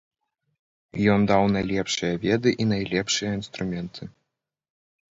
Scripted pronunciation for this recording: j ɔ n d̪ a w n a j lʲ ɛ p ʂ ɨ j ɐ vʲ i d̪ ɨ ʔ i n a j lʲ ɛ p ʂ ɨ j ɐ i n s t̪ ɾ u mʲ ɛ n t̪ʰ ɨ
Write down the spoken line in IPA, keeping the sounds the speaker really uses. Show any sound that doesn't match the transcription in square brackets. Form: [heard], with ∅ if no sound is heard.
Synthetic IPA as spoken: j ɔ n d̪ a w n a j lʲ ɛ p ʂ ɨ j ɐ vʲ [ɛ] d̪ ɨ ʔ i n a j lʲ ɛ p ʂ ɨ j ɐ i n s t̪ ɾ u mʲ ɛ n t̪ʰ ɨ